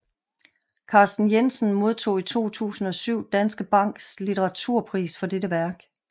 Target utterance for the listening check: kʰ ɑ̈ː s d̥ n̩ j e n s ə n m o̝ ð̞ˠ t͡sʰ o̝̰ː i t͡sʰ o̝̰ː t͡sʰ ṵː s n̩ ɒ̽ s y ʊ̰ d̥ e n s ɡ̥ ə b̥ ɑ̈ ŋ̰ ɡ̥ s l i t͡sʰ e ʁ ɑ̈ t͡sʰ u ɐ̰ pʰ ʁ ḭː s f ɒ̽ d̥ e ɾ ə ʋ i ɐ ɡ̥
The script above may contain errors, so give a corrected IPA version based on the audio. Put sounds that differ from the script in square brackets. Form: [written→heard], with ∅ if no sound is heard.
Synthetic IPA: kʰ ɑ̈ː s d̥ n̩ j e n s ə n m o̝ ð̞ˠ t͡sʰ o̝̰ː i t͡sʰ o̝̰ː t͡sʰ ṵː s n̩ ɒ̽ s y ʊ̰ d̥ [e→æ] n s ɡ̥ ə b̥ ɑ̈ ŋ̰ ɡ̥ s l i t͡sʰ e ʁ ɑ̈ t͡sʰ u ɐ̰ pʰ ʁ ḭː s f ɒ̽ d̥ e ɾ ə ʋ [i→æ] ɐ ɡ̥

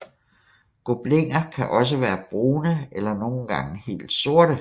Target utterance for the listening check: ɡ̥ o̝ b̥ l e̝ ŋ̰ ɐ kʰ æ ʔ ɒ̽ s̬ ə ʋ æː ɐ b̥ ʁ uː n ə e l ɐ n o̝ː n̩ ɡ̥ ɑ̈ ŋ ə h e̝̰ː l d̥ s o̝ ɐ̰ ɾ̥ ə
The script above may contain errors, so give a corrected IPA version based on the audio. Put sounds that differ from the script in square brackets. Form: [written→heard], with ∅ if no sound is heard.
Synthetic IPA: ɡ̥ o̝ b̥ l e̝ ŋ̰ ɐ kʰ æ ʔ ɒ̽ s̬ ə ʋ æː ɐ b̥ ʁ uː n ə e l ɐ n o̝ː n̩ ɡ̥ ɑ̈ ŋ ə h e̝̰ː l d̥ s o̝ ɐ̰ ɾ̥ ə

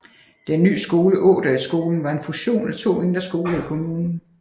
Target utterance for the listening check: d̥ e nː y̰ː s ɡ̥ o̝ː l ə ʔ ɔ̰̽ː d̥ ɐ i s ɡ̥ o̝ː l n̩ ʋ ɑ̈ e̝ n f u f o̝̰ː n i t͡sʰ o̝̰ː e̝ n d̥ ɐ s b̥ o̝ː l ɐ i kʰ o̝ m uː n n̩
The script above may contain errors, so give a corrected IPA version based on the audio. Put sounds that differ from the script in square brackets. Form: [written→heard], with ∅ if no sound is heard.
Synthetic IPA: d̥ e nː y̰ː s ɡ̥ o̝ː l ə ʔ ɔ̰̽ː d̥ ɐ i s ɡ̥ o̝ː l n̩ ʋ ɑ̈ e̝ n f u [f→ɕ] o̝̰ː n [i→æ] t͡sʰ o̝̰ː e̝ n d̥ ɐ s [b̥→ɡ̥] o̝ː l ɐ i kʰ o̝ m uː n n̩

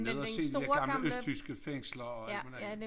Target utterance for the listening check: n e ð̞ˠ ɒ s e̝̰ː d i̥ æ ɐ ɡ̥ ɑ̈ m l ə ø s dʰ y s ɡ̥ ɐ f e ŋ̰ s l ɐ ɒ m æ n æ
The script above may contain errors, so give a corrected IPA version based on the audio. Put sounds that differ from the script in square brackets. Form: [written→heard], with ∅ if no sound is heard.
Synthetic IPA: n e ð̞ˠ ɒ s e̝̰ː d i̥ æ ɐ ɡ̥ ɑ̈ m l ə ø s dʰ y s ɡ̥ [ɐ→ə] f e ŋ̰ s l ɐ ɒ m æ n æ

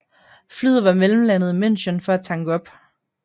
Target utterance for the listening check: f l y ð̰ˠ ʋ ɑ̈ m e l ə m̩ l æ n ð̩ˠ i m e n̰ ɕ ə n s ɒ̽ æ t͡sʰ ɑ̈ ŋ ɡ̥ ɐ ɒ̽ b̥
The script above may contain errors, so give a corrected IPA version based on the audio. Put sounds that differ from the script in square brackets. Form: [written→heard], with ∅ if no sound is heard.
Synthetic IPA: f l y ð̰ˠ ʋ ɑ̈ m e l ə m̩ l æ n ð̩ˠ i m e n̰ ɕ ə n [s→f] ɒ̽ æ t͡sʰ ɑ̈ ŋ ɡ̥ [ɐ→ə] ɒ̽ b̥

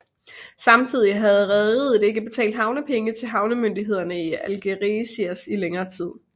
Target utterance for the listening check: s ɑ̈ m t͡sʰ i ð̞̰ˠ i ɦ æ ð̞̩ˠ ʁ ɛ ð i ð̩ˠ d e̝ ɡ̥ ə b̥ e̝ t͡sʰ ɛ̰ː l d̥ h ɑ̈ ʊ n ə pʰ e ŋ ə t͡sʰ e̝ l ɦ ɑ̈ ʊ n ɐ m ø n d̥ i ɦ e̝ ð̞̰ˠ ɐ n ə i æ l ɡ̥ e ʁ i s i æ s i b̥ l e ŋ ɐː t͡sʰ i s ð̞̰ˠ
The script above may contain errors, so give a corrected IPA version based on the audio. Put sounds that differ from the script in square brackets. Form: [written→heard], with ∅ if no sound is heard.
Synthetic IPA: s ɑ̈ m t͡sʰ i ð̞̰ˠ i ɦ æ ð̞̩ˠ ʁ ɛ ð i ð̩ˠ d e̝ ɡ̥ ə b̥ e̝ t͡sʰ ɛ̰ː l d̥ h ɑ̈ ʊ n ə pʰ e ŋ ə t͡sʰ e̝ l ɦ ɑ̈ ʊ n [ɐ→ə] m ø n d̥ i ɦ e̝ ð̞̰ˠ ɐ n ə i æ l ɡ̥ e ʁ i s i æ s i [b̥→∅] l e ŋ ɐː t͡sʰ i [s→∅] ð̞̰ˠ

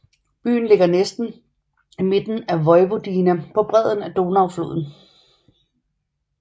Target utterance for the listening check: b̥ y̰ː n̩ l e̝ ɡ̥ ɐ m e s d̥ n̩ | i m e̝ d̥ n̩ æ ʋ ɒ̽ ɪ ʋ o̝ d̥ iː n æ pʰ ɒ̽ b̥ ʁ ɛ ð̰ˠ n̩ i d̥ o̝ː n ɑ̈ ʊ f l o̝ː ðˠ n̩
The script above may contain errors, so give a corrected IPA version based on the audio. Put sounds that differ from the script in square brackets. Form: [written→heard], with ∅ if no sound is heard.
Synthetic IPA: b̥ y̰ː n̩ l e̝ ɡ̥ ɐ [m→n] e s d̥ n̩ | i m e̝ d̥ n̩ æ ʋ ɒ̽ ɪ ʋ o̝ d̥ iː n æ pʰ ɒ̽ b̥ ʁ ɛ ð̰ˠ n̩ [i→æ] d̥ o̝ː n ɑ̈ ʊ f l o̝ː ðˠ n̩

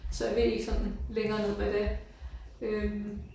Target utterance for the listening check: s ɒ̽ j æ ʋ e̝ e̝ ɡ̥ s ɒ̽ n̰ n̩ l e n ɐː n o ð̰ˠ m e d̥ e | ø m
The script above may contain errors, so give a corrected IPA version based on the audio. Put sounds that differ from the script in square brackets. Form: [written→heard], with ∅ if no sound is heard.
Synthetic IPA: s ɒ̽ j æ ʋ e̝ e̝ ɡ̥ s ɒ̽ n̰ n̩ l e [n→ŋ] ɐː n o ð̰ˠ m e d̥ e | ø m

